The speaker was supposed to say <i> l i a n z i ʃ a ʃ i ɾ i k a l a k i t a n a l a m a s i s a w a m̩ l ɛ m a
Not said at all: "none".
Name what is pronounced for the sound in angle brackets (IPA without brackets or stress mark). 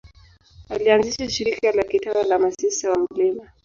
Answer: a